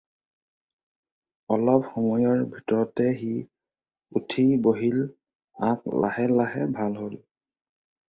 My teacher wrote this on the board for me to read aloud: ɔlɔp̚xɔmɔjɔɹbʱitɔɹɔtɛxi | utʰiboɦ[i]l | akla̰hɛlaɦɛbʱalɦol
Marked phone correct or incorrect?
correct